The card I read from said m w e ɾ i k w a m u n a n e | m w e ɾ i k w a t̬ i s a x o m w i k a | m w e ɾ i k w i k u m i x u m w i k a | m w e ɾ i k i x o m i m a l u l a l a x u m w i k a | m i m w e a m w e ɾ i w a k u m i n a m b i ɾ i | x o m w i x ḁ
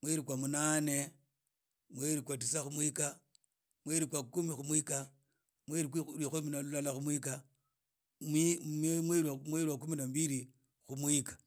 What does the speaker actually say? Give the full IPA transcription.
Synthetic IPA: m w e ɾ i k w a m u n a n e | m w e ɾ i k w a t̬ i s a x u m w i k a | m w e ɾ i k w a k u m i x u m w i k a | m w e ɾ i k i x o m i n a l u l a l a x u m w i k a | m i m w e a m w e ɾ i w a k u m i n a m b i ɾ i | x u m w i k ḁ